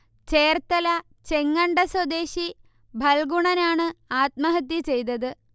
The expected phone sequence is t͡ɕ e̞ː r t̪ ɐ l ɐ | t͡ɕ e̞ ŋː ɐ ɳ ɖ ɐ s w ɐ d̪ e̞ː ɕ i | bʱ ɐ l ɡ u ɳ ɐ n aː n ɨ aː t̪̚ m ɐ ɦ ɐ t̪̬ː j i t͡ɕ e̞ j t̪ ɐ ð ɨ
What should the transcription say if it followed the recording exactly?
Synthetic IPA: t͡ɕ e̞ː r t̪ ɐ l ɐ | t͡ɕ e̞ ŋː ɐ ɳ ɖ ɐ s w ɐ d̪ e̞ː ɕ i | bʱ ɐ l ɡ u ɳ ɐ n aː ɳ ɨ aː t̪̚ m ɐ ɦ ɐ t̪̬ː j i t͡ɕ e̞ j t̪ ɐ ð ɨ